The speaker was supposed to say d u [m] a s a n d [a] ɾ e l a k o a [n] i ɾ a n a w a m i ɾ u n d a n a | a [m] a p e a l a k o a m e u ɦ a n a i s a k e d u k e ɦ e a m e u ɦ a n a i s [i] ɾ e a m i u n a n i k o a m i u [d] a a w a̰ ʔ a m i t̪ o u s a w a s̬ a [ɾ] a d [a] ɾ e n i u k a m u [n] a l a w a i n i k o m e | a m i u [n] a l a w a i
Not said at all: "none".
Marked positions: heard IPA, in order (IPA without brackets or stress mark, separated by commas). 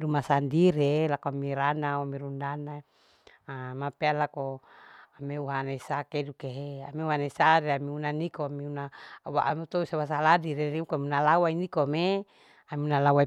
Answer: m, i, m, m, a, n, l, i, n, n